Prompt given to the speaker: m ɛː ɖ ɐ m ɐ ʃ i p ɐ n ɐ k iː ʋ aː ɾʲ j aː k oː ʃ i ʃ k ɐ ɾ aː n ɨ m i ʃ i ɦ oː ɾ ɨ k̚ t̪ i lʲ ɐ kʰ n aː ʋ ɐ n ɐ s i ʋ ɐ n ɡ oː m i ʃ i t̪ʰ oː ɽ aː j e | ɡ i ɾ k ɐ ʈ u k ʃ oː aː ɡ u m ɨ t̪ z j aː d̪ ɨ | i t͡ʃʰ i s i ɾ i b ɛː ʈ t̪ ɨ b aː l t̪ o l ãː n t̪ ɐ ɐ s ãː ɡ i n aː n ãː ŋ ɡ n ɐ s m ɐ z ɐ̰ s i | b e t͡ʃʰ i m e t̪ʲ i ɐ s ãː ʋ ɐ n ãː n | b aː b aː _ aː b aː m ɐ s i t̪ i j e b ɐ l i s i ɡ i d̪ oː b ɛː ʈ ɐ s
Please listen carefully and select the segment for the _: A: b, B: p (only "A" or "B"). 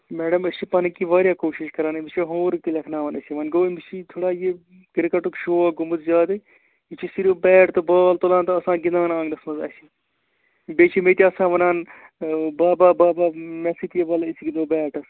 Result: A